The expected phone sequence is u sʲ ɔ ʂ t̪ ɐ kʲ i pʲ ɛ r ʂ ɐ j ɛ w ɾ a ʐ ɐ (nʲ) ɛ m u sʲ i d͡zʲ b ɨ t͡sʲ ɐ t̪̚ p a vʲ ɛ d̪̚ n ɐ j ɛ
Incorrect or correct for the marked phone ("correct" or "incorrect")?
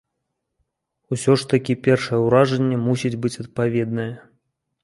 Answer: incorrect